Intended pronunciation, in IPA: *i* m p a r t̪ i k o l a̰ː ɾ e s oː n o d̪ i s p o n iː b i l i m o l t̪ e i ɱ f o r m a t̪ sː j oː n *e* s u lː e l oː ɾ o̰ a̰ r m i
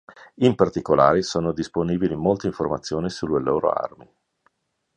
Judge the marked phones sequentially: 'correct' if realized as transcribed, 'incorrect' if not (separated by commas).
correct, incorrect